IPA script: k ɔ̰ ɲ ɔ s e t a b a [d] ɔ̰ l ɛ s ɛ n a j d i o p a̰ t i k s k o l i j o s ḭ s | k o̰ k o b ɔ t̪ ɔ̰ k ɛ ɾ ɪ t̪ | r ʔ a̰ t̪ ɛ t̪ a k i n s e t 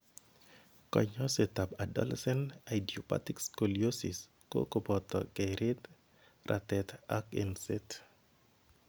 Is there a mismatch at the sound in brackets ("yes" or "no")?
no